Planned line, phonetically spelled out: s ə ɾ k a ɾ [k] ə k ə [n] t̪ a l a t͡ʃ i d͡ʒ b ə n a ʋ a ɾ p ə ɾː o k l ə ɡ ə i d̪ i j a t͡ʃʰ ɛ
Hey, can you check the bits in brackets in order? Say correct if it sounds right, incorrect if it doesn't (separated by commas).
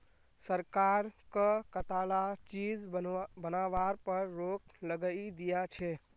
correct, incorrect